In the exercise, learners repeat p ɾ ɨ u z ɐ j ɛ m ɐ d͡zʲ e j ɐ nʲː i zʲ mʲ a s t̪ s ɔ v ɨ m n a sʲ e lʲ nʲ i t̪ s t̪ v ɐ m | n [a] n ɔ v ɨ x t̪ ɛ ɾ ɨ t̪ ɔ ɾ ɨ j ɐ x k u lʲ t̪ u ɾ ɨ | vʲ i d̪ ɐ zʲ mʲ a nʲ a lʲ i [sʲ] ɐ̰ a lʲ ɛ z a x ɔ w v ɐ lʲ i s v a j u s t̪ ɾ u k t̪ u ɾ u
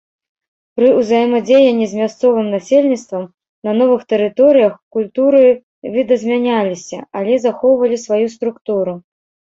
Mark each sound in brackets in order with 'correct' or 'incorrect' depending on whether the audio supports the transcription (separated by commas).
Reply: incorrect, correct